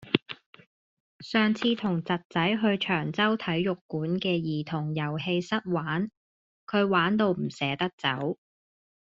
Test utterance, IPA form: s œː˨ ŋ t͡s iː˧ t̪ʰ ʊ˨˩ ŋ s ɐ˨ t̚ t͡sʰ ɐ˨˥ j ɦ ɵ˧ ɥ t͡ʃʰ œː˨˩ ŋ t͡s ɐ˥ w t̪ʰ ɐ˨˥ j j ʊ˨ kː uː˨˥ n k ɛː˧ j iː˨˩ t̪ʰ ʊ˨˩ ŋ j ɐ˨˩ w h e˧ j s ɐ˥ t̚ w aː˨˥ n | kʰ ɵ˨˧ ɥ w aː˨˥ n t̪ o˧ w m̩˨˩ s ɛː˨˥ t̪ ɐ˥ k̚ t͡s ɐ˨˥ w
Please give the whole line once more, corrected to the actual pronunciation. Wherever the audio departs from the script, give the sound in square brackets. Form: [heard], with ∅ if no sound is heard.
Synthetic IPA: s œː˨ ŋ [t͡sʰ] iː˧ t̪ʰ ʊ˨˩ ŋ [t͡s] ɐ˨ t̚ [t͡s] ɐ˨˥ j ɦ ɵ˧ ɥ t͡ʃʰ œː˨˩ ŋ t͡s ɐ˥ w t̪ʰ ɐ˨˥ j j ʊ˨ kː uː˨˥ n k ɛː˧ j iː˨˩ t̪ʰ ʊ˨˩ ŋ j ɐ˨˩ w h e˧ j s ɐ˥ t̚ w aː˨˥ n | kʰ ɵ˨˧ ɥ w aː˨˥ n t̪ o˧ w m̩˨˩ s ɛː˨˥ t̪ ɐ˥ k̚ t͡s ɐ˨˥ w